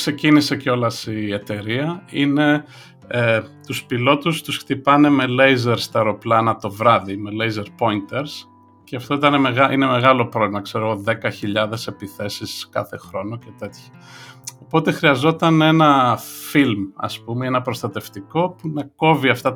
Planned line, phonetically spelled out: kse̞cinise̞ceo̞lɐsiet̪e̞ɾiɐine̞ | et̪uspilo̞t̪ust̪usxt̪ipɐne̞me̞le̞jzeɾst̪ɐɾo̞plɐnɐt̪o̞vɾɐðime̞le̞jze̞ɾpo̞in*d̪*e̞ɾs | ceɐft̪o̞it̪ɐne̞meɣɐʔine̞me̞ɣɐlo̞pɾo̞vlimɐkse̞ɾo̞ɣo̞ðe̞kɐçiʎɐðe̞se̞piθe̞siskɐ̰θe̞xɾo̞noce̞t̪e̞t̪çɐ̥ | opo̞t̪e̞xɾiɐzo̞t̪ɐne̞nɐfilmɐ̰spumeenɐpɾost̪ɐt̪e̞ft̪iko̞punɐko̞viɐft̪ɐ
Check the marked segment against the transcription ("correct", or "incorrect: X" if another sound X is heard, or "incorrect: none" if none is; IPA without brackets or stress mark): incorrect: t̪